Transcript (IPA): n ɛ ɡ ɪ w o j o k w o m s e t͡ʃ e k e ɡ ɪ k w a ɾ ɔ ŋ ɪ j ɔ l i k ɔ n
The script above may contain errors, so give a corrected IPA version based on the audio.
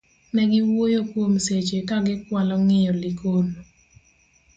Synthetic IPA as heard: n ɛ ɡ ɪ w o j o k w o m s e t͡ʃ e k a ɡ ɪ k w a l ɔ ŋ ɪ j ɔ l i k o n